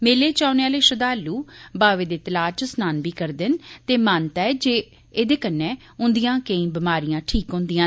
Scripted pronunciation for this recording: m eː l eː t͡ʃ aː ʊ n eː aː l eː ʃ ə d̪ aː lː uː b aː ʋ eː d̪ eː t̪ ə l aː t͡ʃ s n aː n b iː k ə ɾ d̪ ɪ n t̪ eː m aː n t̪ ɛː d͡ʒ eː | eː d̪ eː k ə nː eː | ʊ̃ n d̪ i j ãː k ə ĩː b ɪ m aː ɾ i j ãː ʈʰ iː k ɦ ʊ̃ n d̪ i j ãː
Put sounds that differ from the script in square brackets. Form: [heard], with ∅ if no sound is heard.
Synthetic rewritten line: m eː l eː t͡ʃ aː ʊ n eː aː l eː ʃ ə d̪ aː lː uː b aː ʋ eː d̪ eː t̪ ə l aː t͡ʃ s n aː n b iː k ə ɾ d̪ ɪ n t̪ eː m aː n t̪ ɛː d͡ʒ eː | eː d̪ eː k ə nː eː | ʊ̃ n d̪ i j ãː k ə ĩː b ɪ m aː ɾ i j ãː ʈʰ iː k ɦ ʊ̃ n d̪ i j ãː